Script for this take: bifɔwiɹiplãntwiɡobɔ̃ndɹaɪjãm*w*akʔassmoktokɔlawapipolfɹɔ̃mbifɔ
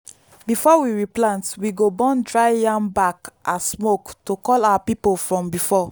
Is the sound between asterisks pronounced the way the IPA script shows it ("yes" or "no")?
no